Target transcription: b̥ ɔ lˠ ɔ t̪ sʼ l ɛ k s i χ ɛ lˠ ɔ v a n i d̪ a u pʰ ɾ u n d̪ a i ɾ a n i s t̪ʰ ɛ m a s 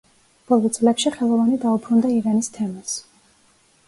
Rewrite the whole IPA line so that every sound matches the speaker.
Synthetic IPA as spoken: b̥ ɔ lˠ ɔ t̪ sʼ l ɛ k ʃ i χ ɛ lˠ ɔ v a n i d̪ a u pʰ ɾ u n d̪ a i ɾ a n i s t̪ʰ ɛ m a s